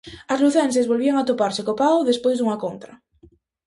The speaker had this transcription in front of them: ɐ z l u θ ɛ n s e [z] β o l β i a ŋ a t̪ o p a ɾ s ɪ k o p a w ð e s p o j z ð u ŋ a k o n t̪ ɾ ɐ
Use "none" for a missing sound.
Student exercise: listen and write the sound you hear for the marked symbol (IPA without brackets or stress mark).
z